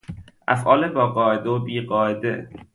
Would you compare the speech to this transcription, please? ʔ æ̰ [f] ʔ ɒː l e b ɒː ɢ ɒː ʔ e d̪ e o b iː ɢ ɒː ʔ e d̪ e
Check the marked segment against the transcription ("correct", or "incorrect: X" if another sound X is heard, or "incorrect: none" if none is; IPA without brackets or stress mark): correct